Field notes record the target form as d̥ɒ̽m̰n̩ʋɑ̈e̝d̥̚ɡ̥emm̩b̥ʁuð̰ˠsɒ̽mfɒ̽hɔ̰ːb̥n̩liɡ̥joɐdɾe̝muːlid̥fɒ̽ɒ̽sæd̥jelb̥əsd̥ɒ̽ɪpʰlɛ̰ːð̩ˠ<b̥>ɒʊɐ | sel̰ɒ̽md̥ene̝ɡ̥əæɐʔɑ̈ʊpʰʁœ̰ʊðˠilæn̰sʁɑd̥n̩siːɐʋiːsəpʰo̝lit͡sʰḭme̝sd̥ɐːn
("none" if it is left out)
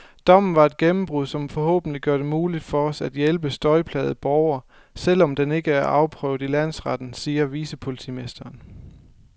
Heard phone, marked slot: b̥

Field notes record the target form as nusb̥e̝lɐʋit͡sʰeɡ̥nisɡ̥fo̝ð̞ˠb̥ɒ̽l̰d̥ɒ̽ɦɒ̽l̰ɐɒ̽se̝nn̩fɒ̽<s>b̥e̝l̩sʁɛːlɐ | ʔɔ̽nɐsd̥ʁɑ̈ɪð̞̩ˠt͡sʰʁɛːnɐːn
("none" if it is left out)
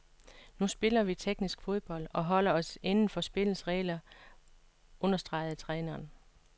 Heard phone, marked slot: s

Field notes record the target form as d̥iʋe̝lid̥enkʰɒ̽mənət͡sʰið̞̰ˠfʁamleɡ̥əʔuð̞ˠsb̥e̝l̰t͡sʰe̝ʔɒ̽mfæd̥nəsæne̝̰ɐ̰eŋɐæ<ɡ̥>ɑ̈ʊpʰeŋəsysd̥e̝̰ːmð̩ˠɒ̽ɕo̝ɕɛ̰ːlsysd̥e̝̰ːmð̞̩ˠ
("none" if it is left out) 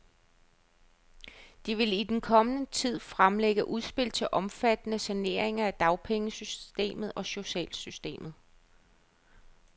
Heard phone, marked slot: d̥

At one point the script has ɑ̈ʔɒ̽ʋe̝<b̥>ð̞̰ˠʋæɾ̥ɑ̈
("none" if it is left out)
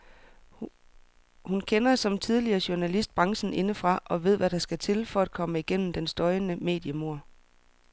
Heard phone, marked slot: none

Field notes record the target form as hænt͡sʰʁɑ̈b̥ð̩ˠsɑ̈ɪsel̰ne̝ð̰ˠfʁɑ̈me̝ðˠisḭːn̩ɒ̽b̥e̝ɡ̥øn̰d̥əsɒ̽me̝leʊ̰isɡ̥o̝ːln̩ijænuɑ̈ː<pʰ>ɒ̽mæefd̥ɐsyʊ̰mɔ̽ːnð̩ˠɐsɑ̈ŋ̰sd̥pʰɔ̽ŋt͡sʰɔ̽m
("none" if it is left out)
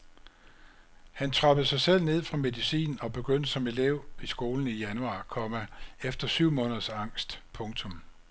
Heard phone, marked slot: kʰ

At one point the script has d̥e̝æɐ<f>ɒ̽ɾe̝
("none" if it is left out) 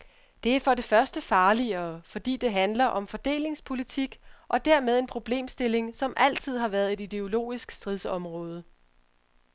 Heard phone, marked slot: f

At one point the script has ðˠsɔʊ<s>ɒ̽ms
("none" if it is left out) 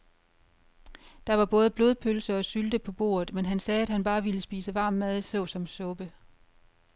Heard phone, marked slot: s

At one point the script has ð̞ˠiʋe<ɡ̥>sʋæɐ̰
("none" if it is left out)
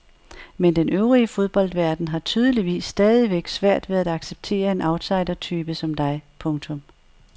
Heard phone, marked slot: ɡ̥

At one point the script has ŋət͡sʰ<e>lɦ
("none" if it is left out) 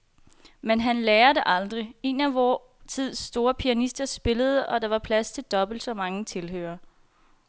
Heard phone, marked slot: e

